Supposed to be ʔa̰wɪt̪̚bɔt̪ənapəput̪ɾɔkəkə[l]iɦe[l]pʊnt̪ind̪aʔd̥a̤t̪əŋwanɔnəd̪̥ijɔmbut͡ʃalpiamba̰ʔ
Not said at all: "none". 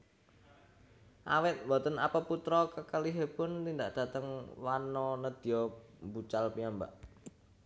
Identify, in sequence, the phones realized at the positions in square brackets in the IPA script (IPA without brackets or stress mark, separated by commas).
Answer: l, none